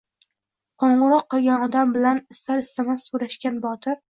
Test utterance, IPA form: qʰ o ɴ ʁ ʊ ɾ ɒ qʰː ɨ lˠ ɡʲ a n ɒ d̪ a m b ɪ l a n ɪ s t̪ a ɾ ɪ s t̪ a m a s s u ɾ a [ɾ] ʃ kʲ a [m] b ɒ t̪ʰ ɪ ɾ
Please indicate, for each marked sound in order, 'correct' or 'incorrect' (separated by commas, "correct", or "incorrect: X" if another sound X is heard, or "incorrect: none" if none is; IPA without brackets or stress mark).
incorrect: none, incorrect: n